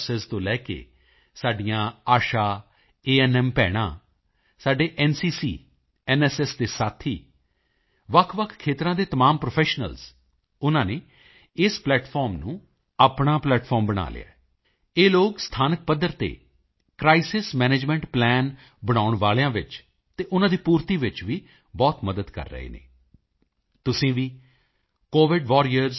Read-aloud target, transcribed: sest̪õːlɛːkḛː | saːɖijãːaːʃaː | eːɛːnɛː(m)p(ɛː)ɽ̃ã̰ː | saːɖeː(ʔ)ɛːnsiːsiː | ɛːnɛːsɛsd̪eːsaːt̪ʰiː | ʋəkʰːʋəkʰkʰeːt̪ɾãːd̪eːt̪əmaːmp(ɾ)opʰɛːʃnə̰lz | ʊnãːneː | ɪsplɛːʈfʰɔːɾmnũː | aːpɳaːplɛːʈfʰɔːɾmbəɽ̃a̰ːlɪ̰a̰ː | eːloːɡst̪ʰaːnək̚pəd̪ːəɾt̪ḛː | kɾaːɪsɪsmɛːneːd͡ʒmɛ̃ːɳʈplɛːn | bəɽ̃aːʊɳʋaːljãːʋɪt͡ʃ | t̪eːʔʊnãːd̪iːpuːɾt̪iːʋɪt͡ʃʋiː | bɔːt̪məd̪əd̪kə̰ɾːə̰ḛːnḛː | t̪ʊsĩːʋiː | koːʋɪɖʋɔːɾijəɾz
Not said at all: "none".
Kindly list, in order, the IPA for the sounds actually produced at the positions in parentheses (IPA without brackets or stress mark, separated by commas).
m, ɛː, ʔ, ɾ